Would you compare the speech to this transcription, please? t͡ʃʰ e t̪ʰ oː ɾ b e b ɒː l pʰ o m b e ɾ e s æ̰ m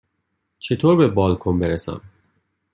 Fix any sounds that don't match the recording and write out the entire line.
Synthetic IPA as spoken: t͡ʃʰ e t̪ʰ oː ɾ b e b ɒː l kʰ o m b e ɾ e s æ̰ m